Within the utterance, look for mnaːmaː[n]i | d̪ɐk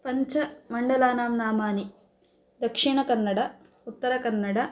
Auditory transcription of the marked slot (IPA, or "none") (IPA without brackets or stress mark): n